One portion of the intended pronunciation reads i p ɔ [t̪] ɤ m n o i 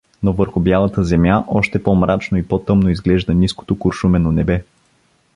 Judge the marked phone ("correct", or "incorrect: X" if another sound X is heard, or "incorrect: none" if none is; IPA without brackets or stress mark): correct